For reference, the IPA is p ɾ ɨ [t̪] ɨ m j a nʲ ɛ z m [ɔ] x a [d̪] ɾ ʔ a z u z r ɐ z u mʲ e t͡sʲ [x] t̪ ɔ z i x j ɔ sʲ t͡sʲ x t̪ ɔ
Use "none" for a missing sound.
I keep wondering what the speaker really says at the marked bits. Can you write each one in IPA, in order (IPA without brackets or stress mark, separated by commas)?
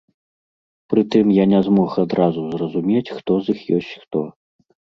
t̪, ɔ, d̪, x